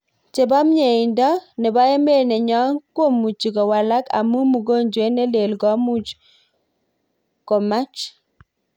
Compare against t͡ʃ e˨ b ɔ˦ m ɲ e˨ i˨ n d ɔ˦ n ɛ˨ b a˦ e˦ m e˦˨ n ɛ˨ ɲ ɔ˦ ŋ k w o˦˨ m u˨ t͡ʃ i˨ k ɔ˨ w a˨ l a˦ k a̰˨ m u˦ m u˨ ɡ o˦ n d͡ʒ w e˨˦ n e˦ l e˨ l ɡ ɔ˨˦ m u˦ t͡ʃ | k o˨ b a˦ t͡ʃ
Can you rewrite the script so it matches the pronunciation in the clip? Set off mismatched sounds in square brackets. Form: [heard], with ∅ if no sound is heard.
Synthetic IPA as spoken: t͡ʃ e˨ b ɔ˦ m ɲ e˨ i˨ n d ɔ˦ n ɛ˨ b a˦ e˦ m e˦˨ n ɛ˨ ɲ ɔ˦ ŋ k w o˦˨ m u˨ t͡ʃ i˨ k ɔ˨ w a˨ l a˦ k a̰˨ m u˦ m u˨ ɡ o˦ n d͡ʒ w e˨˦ n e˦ l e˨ l ɡ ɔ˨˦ m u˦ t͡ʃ | k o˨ [m] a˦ t͡ʃ